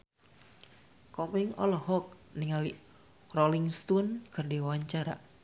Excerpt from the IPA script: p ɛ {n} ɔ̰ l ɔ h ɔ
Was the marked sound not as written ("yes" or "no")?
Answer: yes